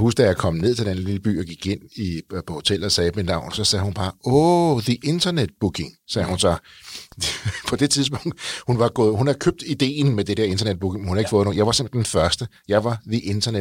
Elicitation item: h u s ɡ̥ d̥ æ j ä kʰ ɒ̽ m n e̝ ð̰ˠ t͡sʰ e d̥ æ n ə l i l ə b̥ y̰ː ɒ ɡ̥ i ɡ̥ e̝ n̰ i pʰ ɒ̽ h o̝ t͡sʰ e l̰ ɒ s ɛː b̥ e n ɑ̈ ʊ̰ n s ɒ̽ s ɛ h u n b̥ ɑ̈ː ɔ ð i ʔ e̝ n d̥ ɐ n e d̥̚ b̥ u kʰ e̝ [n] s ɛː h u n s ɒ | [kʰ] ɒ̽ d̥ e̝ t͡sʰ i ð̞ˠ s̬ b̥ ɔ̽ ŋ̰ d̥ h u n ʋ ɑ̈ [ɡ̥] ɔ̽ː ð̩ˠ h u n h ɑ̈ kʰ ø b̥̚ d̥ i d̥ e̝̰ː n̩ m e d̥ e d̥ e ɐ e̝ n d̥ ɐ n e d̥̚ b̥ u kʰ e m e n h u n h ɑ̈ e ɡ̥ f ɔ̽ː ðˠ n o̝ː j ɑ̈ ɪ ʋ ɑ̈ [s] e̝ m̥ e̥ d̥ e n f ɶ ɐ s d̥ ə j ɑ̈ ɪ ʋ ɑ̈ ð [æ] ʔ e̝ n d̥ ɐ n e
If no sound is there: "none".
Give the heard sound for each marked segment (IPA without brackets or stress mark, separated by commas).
ŋ, pʰ, ɡ̥, s, i